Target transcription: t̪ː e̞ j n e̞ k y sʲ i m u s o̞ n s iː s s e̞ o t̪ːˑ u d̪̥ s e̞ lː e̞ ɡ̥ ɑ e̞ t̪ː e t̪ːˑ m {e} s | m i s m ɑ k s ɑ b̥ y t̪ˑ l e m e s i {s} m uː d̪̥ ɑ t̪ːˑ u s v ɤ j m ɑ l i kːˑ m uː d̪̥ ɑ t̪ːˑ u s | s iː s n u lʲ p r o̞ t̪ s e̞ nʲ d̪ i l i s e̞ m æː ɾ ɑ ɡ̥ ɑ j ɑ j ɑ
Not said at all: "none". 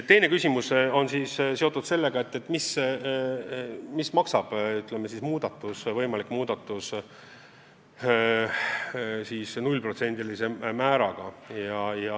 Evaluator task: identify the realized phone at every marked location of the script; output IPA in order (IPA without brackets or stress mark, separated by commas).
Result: i, s